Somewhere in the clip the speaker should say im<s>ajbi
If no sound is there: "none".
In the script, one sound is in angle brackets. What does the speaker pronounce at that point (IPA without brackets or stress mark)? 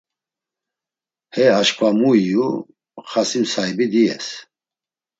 s